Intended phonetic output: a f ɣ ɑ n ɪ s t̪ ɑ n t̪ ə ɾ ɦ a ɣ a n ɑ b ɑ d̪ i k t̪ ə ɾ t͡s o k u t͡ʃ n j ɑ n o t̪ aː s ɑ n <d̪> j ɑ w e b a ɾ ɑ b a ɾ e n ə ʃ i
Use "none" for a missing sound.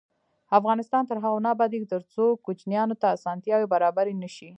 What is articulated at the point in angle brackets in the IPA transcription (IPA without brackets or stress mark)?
t̪